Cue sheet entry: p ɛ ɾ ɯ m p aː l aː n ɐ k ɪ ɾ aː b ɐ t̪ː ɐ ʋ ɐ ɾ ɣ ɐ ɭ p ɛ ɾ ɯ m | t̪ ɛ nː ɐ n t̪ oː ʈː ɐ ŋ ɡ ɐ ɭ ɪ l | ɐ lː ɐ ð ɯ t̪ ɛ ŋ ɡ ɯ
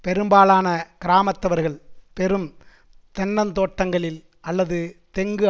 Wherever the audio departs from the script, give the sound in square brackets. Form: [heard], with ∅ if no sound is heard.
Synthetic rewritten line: p ɛ ɾ ɯ m [b] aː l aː n ɐ k ɪ ɾ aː [m] ɐ t̪ː ɐ ʋ ɐ ɾ ɣ ɐ ɭ p ɛ ɾ ɯ m | t̪ ɛ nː ɐ n t̪ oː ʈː ɐ ŋ ɡ ɐ ɭ ɪ l | ɐ lː ɐ ð ɯ t̪ ɛ ŋ ɡ ɯ

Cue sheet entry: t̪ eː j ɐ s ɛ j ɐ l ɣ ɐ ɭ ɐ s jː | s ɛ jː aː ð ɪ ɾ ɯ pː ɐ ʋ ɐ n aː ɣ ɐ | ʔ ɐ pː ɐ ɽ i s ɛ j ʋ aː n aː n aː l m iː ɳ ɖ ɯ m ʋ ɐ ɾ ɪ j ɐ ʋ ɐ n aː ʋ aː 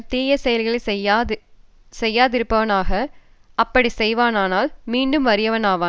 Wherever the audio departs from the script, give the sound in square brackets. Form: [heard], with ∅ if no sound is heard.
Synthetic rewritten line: t̪ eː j ɐ s ɛ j ɐ l ɣ ɐ ɭ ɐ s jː | s ɛ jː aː ð ɪ ɾ ɯ pː ɐ ʋ ɐ n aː ɣ ɐ | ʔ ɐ pː ɐ ɽ i s ɛ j ʋ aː n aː n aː l m iː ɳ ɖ ɯ m ʋ ɐ ɾ ɪ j ɐ ʋ ɐ n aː ʋ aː

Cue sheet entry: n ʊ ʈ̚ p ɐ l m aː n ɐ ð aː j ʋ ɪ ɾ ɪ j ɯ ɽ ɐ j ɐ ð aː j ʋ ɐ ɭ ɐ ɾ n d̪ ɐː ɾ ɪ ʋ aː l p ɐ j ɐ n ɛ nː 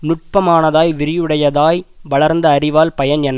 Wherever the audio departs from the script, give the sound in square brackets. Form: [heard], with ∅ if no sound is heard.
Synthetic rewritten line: n ʊ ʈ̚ p ɐ [∅] m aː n ɐ ð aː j ʋ ɪ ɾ ɪ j ɯ ɽ ɐ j ɐ ð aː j ʋ ɐ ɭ ɐ ɾ n d̪ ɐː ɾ ɪ ʋ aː l p ɐ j ɐ n ɛ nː

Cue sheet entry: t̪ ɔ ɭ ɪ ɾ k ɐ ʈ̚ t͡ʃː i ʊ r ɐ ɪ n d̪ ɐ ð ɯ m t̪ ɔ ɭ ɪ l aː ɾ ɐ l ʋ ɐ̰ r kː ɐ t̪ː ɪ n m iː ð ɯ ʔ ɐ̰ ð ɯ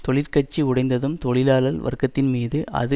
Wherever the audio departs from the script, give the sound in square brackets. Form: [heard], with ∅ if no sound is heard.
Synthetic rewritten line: t̪ ɔ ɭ ɪ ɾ k ɐ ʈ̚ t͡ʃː i ʊ [ɽ] ɐ ɪ n d̪ ɐ ð ɯ m t̪ ɔ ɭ ɪ l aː [l] ɐ l ʋ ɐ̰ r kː ɐ t̪ː ɪ n m iː ð ɯ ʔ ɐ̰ ð ɯ

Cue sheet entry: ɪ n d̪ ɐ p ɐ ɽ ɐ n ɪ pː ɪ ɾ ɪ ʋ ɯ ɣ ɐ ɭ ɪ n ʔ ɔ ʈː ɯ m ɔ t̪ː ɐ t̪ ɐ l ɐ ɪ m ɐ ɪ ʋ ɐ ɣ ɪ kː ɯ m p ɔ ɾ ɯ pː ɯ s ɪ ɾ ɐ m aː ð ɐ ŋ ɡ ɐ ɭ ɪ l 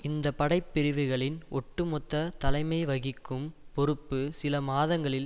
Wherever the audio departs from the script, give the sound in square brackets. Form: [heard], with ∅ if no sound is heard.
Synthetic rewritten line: ɪ n d̪ ɐ p ɐ ɽ ɐ [∅] ɪ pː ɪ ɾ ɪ ʋ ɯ ɣ ɐ ɭ ɪ n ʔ ɔ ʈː ɯ m ɔ t̪ː ɐ t̪ ɐ l ɐ ɪ m ɐ ɪ ʋ ɐ ɣ ɪ kː ɯ m p ɔ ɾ ɯ pː ɯ s ɪ [l] ɐ m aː ð ɐ ŋ ɡ ɐ ɭ ɪ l

